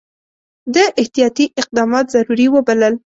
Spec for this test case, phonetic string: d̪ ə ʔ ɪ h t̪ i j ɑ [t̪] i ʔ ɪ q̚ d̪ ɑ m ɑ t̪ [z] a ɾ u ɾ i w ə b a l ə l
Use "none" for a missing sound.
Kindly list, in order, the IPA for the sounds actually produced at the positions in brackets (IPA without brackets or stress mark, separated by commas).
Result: t̪, z